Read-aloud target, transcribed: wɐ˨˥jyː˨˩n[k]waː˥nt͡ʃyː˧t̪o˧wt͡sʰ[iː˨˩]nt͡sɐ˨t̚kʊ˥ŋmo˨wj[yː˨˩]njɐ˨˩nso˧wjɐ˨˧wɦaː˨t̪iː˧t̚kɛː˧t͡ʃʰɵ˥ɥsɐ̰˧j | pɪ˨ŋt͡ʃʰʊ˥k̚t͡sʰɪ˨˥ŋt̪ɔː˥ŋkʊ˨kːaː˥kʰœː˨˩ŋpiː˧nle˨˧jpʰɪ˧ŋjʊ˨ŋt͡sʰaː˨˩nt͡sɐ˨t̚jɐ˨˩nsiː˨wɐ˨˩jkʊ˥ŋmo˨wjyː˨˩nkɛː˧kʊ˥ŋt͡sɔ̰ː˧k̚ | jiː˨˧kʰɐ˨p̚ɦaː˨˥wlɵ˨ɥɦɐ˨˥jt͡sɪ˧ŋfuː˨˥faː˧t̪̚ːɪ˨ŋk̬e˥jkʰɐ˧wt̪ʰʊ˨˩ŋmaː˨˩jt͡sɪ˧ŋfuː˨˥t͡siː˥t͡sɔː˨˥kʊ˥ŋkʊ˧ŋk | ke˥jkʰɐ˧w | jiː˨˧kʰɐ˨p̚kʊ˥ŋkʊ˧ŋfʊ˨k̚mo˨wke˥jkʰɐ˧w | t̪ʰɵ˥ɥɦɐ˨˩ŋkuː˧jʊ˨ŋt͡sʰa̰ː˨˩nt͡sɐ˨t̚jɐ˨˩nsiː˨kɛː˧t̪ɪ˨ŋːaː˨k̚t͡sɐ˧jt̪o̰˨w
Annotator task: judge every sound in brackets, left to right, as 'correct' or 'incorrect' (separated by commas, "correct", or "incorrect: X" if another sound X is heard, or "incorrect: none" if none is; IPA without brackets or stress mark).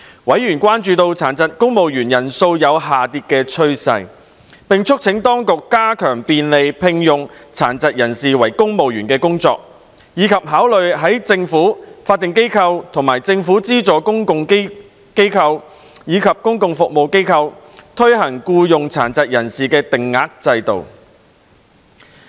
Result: correct, incorrect: aː˨˩, correct